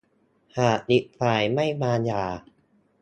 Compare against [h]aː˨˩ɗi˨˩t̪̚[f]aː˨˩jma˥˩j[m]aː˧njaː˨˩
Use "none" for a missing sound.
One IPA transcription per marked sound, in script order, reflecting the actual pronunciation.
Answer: h, f, m

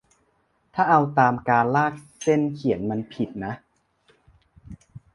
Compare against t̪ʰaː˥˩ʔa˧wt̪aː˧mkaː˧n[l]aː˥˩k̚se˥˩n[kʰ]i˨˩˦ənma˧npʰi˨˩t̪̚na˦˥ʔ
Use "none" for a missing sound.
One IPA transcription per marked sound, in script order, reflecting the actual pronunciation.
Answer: l, kʰ

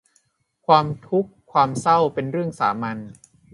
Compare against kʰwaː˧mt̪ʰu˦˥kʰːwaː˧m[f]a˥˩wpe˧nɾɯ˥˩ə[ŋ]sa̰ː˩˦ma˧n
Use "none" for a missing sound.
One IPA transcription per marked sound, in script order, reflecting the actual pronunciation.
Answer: s, ŋ

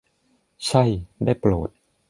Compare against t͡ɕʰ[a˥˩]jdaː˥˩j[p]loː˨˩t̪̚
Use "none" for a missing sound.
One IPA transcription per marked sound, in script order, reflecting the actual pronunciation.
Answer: a˥˩, p

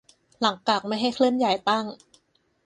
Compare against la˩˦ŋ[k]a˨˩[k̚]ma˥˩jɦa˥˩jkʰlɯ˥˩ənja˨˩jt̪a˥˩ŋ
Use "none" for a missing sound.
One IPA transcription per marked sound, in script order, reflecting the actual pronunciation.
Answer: k, k̚

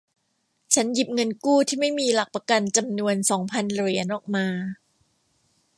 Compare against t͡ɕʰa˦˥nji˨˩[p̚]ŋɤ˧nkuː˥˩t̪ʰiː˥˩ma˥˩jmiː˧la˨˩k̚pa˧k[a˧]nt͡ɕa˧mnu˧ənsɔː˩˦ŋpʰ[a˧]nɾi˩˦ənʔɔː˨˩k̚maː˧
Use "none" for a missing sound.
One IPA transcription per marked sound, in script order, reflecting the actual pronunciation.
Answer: p̚, a˧, a˧

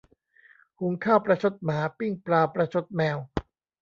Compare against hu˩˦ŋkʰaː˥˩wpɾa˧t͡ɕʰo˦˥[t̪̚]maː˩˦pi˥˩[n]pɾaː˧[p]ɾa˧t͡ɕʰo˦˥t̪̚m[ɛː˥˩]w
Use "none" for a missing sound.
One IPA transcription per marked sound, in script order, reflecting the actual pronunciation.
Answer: t̪̚, ŋ, p, ɛː˧

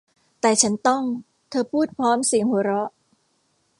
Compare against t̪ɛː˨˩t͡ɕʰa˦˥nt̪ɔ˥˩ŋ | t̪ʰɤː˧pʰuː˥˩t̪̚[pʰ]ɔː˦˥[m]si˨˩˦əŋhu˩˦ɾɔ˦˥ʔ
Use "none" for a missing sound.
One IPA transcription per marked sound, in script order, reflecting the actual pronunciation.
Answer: pʰ, m

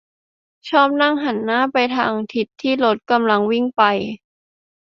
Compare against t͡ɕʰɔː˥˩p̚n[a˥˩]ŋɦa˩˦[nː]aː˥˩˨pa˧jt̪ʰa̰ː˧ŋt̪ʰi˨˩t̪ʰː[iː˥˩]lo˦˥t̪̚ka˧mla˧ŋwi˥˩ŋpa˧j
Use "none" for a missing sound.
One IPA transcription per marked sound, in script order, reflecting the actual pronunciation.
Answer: a˥˩, nː, iː˥˩

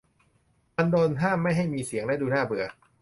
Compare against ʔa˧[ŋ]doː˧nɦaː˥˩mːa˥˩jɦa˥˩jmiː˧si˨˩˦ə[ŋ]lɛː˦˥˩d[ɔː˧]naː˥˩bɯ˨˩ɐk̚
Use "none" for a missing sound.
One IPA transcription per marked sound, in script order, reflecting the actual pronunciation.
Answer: n, ŋ, uː˧

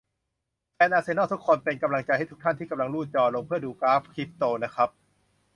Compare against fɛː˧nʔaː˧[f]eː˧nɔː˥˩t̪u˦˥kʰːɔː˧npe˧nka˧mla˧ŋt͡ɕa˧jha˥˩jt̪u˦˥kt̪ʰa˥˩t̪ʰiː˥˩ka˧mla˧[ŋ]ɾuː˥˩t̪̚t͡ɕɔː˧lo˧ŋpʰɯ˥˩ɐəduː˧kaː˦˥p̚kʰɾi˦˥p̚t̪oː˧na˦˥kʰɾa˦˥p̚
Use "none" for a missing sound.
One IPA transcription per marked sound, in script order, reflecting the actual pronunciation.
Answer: s, ŋ

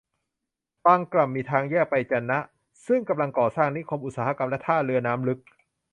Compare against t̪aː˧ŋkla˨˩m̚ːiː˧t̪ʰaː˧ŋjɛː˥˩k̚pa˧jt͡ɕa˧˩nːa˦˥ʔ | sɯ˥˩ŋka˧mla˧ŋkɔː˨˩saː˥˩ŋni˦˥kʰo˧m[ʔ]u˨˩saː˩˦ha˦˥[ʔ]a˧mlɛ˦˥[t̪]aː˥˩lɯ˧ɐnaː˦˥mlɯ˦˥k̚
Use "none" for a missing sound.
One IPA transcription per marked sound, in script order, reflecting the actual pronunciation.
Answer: ʔ, k, t̪ʰ

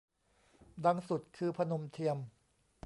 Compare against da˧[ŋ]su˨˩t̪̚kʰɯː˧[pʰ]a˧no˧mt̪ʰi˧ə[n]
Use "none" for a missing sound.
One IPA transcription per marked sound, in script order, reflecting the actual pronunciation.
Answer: ŋ, pʰ, m

